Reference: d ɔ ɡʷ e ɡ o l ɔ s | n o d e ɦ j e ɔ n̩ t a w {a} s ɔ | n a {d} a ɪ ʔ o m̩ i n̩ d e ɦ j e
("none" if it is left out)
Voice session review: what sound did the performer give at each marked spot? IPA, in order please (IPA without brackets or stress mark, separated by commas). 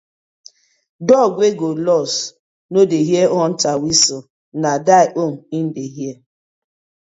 i, d